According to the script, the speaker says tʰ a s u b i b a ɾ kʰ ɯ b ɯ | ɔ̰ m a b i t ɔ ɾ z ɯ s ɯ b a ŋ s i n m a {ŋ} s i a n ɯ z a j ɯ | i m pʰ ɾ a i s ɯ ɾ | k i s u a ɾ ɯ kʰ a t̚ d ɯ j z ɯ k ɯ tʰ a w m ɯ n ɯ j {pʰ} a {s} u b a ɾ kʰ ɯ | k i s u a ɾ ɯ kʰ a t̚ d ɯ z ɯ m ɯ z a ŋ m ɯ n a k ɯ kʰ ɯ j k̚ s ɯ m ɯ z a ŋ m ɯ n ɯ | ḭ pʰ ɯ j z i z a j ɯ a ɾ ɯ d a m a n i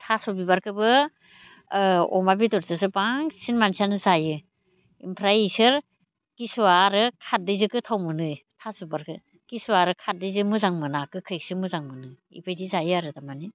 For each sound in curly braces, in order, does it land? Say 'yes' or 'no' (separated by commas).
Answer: no, no, yes